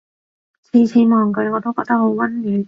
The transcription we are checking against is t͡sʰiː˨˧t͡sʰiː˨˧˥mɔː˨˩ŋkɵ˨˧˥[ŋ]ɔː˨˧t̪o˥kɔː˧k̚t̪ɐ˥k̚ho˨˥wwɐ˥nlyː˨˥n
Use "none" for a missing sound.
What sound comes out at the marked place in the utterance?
ŋ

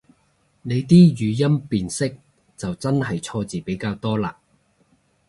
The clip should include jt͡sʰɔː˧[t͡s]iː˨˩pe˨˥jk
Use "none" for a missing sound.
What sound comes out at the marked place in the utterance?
t͡s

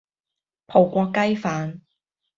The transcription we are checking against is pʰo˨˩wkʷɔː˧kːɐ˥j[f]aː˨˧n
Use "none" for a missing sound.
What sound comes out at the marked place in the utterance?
f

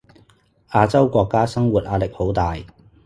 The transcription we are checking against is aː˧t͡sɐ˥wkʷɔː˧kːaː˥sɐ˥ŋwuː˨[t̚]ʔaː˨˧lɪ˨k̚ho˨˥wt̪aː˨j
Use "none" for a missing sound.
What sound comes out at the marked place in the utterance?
t̚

